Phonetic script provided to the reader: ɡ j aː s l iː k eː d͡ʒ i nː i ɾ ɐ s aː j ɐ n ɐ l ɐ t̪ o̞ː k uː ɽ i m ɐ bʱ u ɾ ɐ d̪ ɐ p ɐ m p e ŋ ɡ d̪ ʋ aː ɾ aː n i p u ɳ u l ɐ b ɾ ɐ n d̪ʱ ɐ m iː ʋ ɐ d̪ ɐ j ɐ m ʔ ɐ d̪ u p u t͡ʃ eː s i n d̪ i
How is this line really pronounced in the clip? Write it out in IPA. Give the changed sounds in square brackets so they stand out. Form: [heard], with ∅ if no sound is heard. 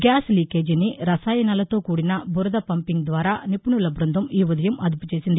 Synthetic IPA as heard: ɡ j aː s l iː k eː d͡ʒ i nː i ɾ ɐ s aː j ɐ n ɐ l ɐ t̪ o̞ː k uː ɽ i [n] ɐ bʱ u ɾ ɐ d̪ ɐ p ɐ m p [i] ŋ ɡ d̪ ʋ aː ɾ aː n i p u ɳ u l ɐ b ɾ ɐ n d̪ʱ ɐ m iː ʋ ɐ d̪ ɐ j ɐ m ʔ ɐ d̪ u p u t͡ʃ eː s i n d̪ i